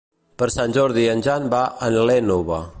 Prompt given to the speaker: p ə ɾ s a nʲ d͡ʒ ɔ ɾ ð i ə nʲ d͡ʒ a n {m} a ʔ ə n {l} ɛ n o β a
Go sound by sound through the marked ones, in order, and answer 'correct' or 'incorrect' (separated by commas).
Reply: incorrect, correct